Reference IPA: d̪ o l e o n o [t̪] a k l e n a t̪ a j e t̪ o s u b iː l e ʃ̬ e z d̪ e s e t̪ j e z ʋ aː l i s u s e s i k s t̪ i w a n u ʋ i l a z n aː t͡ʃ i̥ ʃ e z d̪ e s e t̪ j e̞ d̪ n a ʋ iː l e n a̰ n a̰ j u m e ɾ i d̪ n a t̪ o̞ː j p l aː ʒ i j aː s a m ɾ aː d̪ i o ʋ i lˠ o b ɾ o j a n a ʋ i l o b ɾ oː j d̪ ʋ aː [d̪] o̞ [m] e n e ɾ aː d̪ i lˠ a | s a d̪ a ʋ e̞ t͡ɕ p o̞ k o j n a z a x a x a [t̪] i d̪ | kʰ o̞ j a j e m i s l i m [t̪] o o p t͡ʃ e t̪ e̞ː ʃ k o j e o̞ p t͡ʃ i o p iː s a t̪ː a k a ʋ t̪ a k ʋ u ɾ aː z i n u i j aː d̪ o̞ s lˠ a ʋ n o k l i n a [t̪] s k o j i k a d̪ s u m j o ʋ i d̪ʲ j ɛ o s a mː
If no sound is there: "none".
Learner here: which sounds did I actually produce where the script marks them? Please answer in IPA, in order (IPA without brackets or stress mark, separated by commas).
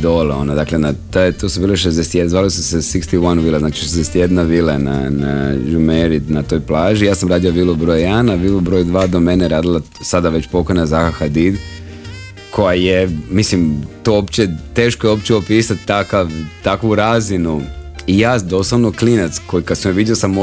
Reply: d̪, d̪, m, d̪, t̪, t̪